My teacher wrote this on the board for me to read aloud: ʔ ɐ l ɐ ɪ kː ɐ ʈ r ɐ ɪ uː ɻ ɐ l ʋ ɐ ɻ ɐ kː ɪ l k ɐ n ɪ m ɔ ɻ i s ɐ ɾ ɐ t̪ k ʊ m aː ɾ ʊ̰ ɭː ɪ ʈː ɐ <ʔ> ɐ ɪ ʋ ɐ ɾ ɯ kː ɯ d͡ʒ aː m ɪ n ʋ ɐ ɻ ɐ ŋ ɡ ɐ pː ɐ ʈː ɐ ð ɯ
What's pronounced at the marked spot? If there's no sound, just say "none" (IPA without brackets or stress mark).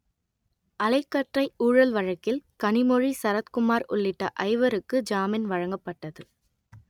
ʔ